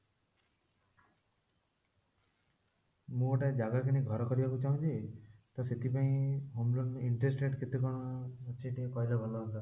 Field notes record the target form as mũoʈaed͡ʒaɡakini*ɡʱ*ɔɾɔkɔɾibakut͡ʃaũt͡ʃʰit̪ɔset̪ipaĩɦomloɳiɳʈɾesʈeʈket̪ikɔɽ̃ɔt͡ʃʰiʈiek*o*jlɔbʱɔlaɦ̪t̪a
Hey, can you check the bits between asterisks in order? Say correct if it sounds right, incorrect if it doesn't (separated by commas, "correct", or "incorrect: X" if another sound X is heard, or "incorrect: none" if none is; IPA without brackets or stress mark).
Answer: correct, incorrect: ɔ